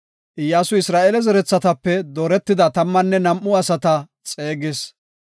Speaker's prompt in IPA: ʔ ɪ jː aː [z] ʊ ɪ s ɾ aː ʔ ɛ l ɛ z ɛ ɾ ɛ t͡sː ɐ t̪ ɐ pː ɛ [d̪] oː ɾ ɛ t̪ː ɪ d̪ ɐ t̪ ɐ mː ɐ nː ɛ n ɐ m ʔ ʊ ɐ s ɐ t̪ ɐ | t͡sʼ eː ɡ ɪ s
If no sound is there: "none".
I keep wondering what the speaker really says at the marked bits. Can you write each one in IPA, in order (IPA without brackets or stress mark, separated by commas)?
s, d̪